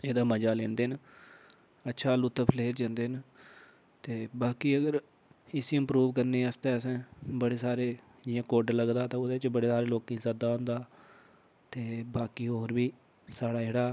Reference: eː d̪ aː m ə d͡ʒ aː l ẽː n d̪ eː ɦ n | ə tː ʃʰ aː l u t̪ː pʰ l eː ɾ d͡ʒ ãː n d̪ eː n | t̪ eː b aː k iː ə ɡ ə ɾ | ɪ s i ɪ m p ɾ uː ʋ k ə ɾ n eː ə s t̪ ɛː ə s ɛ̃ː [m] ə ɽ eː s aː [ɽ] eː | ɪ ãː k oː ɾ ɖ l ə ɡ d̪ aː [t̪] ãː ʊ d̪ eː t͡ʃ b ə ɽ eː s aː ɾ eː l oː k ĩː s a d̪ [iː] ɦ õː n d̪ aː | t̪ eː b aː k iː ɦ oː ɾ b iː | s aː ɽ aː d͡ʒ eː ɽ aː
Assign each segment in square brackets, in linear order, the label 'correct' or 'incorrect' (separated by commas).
incorrect, incorrect, correct, incorrect